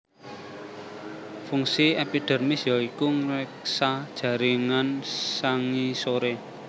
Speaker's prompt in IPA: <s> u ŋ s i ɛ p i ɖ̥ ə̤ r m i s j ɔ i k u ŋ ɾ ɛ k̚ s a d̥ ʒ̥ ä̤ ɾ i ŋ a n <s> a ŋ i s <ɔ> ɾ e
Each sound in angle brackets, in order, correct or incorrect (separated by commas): incorrect, correct, incorrect